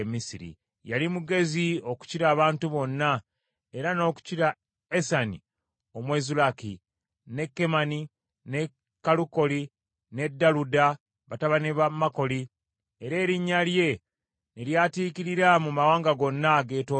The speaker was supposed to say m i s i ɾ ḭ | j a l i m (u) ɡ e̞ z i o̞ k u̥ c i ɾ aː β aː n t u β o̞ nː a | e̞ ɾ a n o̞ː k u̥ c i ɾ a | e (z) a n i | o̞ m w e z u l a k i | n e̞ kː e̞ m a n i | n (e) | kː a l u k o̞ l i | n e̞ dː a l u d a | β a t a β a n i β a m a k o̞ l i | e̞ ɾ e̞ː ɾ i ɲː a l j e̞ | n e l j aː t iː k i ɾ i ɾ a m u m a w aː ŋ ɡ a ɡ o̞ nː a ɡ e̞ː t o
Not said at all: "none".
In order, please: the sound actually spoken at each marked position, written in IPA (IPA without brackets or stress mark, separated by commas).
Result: u, s, e